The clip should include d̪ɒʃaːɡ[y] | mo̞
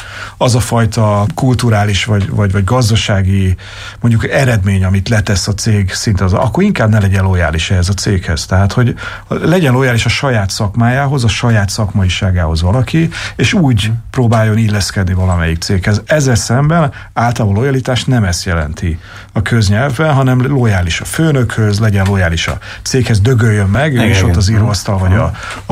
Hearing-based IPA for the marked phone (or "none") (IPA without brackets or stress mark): i